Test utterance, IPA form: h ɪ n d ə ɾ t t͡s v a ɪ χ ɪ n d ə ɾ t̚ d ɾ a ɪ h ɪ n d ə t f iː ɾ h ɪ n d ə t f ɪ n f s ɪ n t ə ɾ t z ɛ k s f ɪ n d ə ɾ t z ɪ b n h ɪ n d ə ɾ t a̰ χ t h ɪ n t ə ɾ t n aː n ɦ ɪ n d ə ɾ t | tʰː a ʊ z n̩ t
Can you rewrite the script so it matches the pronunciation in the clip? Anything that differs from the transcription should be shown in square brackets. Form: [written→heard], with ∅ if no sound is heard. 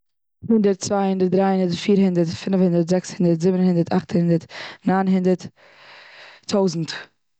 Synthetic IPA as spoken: h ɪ n d ə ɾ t t͡s v a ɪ [χ→h] ɪ n d ə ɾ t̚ d ɾ a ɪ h ɪ n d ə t f iː ɾ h ɪ n d ə t f ɪ n f [s→h] ɪ n [t→d] ə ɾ t z ɛ k s [f→h] ɪ n d ə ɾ t z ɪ b n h ɪ n d ə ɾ t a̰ χ t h ɪ n [t→d] ə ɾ t n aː n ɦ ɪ n d ə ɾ t | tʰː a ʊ z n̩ t